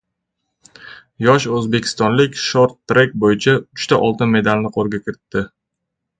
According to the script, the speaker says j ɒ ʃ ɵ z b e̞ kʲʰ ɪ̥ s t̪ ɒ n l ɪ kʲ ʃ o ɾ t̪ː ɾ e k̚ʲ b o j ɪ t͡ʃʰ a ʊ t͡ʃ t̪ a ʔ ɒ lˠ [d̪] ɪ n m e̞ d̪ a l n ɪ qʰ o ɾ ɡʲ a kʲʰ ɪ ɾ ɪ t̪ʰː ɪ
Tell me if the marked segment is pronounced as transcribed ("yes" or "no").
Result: no